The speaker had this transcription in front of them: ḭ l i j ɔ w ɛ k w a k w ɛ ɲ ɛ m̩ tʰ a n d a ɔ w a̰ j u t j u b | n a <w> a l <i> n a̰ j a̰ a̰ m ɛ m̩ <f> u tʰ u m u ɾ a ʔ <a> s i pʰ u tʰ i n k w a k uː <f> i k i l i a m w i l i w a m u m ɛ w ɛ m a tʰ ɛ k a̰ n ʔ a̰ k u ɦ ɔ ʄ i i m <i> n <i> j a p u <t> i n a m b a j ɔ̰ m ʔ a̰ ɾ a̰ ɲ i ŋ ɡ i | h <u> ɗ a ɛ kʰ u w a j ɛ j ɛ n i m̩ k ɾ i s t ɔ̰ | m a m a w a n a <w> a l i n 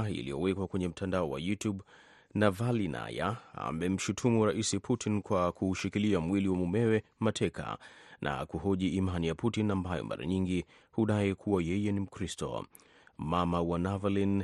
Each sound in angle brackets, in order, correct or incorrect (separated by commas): incorrect, correct, incorrect, incorrect, incorrect, incorrect, correct, correct, correct, incorrect